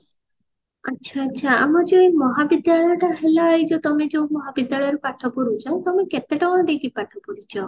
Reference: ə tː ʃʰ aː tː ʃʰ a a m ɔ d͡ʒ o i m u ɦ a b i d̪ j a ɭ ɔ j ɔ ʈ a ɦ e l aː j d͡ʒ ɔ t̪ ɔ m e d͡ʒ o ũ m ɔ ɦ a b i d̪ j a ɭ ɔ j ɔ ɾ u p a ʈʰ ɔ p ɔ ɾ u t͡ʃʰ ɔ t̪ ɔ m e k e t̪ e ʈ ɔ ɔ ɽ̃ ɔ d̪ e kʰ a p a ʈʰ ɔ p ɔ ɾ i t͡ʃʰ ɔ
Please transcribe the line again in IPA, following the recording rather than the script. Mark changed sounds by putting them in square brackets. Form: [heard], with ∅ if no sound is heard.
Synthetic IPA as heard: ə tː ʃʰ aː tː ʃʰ a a m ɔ d͡ʒ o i m [ɔ] ɦ a b i d̪ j a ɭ ɔ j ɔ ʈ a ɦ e l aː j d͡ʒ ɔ t̪ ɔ m e d͡ʒ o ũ m ɔ ɦ a b i d̪ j a ɭ ɔ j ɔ ɾ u p a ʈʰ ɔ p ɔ ɾ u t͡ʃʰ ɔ t̪ ɔ m e k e t̪ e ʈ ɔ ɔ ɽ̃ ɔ d̪ e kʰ [i] p a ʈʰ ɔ p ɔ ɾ i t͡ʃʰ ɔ